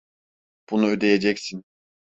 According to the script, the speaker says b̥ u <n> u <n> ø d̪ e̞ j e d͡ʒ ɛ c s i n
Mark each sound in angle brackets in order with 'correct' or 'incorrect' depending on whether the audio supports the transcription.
correct, incorrect: none

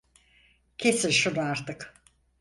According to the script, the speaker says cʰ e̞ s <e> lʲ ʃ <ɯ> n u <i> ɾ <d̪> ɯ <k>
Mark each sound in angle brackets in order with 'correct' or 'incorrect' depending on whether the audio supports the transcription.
incorrect: i, incorrect: u, incorrect: a, incorrect: t̪, correct

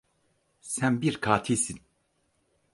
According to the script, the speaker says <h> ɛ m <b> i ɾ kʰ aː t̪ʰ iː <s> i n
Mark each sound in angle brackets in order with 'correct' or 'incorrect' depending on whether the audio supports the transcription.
incorrect: s, correct, correct

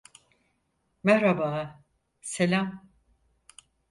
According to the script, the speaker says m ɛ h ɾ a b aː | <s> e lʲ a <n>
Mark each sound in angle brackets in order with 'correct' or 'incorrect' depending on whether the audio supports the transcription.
correct, incorrect: m

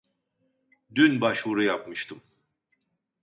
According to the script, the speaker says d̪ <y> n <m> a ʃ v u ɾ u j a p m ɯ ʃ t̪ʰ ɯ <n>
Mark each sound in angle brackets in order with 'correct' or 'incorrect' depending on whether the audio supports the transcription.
correct, incorrect: b, incorrect: m

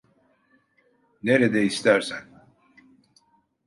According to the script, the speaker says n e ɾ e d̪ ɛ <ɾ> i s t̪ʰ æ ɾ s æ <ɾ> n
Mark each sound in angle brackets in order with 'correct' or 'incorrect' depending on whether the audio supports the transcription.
incorrect: none, incorrect: none

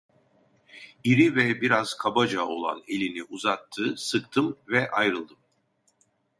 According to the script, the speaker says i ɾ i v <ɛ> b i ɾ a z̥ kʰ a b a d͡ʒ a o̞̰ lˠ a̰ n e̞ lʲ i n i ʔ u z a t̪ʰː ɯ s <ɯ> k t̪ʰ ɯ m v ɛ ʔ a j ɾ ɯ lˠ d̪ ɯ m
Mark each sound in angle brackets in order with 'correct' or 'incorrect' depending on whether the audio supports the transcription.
correct, correct

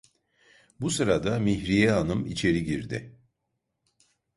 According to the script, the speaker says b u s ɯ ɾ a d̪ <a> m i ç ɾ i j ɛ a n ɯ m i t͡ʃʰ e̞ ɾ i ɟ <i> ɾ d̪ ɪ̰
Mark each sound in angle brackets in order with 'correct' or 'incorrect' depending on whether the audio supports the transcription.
correct, correct

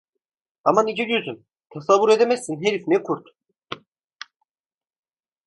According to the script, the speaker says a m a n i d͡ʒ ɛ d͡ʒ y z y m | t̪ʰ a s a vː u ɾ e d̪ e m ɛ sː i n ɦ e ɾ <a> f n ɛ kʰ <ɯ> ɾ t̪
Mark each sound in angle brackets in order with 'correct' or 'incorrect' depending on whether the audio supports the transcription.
incorrect: i, incorrect: u

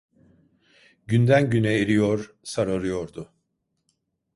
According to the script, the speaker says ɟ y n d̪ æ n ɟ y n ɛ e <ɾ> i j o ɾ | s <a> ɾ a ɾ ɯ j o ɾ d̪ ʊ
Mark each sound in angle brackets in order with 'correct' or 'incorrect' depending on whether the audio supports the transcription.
correct, correct

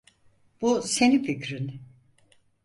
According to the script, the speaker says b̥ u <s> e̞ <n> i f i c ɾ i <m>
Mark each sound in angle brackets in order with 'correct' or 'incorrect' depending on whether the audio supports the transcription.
correct, correct, incorrect: n

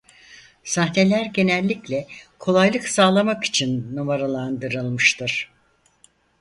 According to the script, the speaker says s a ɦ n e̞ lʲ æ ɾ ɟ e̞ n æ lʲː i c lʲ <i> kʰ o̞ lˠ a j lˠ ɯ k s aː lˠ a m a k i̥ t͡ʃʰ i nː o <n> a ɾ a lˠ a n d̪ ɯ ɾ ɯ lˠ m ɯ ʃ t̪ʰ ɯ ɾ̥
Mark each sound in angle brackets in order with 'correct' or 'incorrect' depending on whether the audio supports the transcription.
incorrect: ɛ, incorrect: m

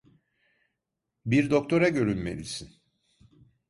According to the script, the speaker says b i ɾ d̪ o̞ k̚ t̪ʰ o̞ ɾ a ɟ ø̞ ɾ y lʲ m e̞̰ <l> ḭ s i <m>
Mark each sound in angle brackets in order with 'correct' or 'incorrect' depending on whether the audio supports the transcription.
correct, incorrect: n

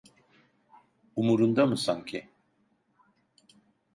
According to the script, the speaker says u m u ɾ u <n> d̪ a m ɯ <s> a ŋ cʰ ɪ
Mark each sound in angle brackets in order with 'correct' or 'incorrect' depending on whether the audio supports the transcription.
correct, correct

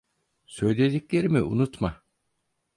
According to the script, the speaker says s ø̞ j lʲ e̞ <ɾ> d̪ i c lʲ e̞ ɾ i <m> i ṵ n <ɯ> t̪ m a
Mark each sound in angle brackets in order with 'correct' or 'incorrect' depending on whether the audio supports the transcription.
incorrect: none, correct, incorrect: u

